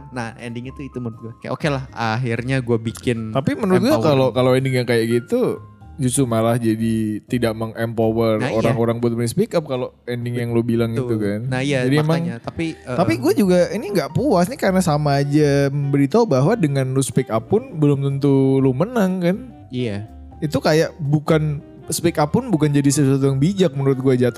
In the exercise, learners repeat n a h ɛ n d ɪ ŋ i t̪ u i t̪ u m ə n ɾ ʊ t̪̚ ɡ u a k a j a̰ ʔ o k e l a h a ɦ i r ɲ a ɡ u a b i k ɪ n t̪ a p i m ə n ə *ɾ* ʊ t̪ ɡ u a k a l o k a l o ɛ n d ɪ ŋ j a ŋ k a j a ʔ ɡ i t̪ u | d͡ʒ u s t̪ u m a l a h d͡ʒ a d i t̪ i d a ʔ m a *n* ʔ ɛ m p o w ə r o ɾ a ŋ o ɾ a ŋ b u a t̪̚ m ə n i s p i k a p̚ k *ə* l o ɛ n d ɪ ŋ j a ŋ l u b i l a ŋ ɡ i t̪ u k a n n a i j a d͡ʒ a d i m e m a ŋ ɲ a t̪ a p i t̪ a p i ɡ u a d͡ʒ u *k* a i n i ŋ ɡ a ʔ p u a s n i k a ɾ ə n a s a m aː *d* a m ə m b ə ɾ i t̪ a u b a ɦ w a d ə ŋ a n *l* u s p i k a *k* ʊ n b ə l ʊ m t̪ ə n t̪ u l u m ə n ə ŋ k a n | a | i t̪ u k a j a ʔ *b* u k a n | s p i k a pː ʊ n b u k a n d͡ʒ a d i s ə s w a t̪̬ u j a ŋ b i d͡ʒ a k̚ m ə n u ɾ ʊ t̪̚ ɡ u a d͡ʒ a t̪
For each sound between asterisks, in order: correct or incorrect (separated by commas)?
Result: correct, incorrect, incorrect, incorrect, incorrect, correct, incorrect, correct